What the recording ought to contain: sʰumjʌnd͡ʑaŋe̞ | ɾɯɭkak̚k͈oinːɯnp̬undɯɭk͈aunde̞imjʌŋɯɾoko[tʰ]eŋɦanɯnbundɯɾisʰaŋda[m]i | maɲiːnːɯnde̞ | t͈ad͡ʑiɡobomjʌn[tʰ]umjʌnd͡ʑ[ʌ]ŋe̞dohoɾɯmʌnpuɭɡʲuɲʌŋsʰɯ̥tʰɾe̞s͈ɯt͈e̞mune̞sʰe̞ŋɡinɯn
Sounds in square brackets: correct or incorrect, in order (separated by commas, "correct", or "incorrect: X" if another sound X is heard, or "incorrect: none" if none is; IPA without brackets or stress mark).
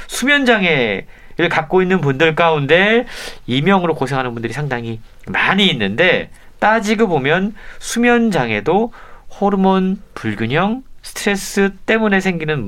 incorrect: sʰ, incorrect: ŋ, incorrect: sʰ, incorrect: a